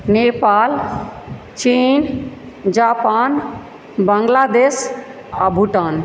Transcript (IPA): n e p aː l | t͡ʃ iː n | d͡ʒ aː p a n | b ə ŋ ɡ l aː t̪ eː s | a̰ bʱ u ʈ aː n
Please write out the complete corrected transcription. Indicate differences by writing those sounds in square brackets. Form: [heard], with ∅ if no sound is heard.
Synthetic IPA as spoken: n e p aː l | t͡ʃ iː n | d͡ʒ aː p a n | b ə ŋ ɡ l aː [d̪] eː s | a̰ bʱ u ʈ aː n